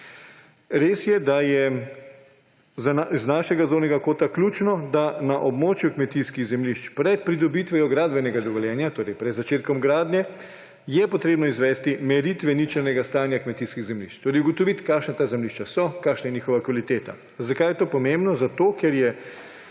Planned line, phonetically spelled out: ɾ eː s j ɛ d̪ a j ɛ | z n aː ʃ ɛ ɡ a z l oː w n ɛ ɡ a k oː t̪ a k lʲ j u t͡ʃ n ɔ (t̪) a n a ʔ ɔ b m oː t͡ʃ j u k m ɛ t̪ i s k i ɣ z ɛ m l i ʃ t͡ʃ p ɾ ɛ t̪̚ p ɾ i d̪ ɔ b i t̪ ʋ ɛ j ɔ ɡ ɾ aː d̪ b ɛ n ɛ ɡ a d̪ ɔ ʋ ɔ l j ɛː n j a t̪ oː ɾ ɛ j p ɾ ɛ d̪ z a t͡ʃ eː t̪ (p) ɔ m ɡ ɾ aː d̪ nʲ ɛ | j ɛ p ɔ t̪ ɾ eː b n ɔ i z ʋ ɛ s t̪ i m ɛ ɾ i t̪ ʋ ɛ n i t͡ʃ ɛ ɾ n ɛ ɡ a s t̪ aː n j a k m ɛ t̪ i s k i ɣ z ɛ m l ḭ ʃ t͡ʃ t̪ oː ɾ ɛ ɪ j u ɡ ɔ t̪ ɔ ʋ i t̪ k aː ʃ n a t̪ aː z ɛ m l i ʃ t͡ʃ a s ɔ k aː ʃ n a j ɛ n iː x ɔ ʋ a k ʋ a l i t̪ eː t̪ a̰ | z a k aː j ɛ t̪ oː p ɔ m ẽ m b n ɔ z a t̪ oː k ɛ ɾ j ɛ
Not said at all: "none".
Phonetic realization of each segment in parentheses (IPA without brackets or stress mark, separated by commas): d̪, k